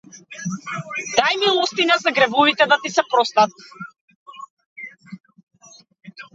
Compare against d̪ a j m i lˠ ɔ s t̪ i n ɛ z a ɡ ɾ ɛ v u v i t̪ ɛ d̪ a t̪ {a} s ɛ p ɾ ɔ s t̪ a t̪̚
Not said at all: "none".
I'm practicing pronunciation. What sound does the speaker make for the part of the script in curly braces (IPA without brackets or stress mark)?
i